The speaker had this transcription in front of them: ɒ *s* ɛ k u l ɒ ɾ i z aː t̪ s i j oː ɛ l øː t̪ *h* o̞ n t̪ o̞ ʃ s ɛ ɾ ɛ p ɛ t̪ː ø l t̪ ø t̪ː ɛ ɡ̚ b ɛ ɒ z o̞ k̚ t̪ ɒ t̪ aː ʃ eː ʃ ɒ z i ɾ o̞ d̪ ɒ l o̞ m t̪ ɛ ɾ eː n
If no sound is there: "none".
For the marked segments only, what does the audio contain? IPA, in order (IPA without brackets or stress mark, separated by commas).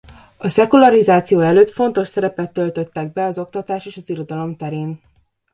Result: s, f